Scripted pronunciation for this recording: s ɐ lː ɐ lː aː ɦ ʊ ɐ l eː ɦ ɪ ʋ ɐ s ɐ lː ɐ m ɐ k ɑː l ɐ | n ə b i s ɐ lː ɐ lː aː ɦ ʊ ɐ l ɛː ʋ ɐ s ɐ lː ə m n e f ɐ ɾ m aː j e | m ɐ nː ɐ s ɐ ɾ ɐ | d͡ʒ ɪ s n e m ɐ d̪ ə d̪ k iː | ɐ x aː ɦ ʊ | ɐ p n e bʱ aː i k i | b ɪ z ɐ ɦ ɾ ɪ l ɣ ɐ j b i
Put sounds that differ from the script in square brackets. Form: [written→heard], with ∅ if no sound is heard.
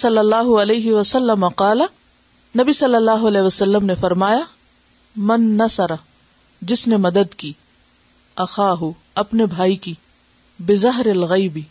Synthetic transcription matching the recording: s ɐ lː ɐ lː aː ɦ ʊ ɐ l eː ɦ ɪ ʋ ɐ s ɐ lː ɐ m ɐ [k→q] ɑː l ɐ | n [ə→ɐ] b i s ɐ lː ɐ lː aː ɦ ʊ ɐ l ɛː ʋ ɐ s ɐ lː ə m n e f ɐ ɾ m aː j [e→a] | m ɐ nː ɐ s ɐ ɾ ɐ | d͡ʒ ɪ s n e m ɐ d̪ ə d̪ k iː | ɐ x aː ɦ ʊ | ɐ p n e bʱ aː i k i | b ɪ z ɐ ɦ ɾ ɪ l ɣ ɐ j b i